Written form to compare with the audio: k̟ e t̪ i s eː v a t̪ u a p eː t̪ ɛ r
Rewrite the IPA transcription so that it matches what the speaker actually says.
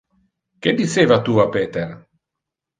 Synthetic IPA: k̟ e d̪ i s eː v a t̪ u a p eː t̪ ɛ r